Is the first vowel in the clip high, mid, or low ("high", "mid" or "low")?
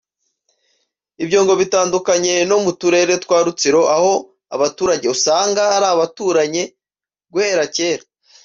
high